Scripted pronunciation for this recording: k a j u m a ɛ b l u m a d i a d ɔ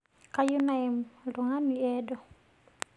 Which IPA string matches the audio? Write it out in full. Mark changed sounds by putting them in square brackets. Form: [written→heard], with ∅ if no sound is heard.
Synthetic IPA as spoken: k a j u [m→n] a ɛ [b→m] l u [m→ŋ] a [d→n] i [a→ɛ] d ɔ